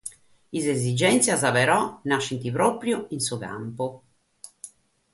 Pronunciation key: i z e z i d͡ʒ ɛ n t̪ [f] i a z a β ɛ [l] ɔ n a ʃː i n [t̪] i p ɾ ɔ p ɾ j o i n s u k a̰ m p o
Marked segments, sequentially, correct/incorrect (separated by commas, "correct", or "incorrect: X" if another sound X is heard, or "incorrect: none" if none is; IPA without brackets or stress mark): incorrect: s, incorrect: ɾ, correct